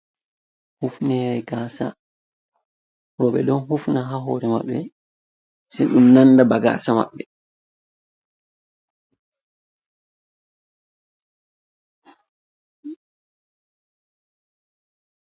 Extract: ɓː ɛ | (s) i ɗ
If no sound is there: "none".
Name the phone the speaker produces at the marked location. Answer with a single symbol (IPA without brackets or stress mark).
s